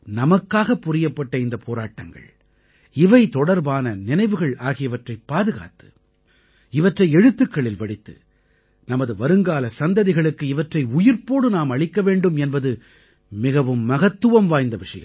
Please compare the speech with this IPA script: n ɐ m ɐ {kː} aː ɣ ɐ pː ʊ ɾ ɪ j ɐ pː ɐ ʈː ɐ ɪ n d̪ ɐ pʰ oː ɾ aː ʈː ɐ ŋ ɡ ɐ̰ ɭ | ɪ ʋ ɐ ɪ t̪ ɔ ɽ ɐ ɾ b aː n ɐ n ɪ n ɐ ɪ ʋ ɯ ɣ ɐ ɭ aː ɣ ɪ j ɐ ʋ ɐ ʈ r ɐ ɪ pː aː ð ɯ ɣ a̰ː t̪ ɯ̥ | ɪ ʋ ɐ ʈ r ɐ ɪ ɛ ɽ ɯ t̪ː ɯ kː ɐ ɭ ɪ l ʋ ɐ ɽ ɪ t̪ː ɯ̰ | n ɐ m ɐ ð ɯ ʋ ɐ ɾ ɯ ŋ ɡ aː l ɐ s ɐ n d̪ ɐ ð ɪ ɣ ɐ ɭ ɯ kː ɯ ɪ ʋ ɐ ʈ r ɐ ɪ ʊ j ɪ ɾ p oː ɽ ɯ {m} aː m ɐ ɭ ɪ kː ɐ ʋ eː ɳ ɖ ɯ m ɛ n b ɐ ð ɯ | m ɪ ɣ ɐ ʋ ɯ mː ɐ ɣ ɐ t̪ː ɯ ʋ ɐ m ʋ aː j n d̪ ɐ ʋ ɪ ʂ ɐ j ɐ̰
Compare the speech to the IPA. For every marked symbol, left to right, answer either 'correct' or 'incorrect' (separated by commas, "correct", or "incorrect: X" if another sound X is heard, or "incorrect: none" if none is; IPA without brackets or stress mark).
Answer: correct, incorrect: n